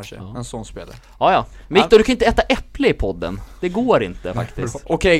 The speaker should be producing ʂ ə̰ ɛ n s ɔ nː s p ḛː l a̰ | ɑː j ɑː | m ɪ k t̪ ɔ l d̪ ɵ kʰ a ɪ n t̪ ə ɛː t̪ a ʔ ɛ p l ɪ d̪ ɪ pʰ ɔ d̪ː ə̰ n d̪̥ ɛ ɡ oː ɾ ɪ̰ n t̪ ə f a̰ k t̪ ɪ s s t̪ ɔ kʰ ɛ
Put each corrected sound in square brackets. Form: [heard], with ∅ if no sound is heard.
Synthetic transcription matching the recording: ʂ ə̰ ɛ n s ɔ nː s p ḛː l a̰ | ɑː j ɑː | m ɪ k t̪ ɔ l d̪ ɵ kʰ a ɪ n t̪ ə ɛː t̪ a ʔ ɛ p l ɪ [∅] ɪ pʰ ɔ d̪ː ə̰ n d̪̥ ɛ ɡ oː ɾ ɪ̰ n t̪ ə f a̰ k t̪ ɪ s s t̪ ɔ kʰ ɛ